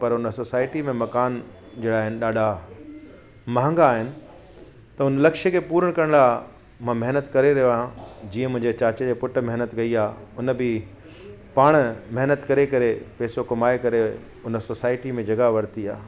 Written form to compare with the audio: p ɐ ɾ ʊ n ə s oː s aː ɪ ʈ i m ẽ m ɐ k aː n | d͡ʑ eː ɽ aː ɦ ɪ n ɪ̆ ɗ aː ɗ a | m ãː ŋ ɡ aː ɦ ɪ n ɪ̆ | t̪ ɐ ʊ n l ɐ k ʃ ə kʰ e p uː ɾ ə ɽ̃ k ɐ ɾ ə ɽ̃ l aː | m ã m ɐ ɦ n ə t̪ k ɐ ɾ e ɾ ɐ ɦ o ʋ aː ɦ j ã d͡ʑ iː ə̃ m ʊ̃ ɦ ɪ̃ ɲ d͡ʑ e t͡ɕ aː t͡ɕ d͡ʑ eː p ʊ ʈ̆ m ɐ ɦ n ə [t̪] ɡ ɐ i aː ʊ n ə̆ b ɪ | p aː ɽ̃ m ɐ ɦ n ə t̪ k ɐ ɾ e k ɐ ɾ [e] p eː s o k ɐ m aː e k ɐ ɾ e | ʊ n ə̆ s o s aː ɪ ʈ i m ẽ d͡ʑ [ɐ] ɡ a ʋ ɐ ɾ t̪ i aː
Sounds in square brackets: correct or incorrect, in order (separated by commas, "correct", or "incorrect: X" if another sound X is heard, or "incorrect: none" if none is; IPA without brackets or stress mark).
correct, correct, correct